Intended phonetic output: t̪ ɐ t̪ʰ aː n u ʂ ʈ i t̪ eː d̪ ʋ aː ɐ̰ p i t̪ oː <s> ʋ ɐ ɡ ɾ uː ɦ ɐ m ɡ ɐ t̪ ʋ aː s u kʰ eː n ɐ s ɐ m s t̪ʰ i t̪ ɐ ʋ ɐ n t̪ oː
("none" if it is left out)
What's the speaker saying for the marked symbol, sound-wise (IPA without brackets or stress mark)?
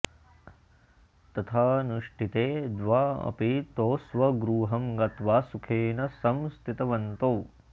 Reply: s